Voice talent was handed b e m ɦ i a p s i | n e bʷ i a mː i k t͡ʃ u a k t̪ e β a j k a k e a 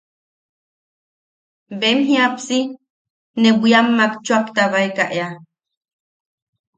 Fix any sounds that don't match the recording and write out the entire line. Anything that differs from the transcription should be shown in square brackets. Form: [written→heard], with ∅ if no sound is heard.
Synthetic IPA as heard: b e m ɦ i a p s i | n e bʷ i a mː [i→a] k t͡ʃ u a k t̪ [e→a] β a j k a [k→ʔ] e a